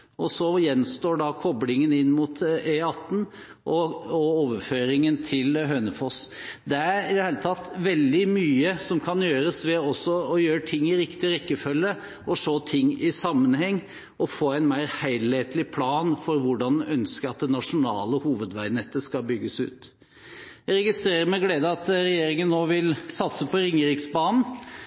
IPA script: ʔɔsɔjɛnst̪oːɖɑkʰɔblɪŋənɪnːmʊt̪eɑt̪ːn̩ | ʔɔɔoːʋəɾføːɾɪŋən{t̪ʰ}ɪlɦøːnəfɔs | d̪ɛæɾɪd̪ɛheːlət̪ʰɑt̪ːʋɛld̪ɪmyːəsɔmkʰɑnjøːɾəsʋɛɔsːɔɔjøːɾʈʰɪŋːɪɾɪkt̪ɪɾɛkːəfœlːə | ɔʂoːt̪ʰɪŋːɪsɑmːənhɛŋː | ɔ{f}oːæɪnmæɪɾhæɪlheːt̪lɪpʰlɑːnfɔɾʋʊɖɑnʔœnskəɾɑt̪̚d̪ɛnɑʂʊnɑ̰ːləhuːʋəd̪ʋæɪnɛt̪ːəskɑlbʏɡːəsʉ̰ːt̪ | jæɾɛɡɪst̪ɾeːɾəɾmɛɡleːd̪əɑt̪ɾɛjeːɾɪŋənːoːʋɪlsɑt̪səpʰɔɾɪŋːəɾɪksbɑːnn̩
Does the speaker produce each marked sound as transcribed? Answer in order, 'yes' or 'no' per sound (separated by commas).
yes, yes